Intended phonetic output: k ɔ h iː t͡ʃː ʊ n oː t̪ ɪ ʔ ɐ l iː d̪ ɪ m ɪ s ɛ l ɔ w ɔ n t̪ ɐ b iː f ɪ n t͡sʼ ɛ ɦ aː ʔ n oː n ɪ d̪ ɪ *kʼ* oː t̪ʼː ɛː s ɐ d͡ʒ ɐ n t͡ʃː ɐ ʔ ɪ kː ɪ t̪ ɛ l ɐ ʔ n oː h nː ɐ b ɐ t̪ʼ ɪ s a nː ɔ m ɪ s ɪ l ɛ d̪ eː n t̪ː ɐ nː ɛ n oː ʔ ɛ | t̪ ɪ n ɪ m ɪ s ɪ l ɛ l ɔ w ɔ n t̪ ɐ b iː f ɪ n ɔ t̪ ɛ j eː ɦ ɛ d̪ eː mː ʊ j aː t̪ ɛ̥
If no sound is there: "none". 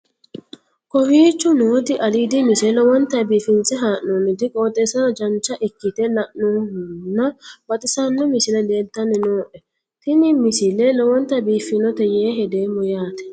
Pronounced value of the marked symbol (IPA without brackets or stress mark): kʼ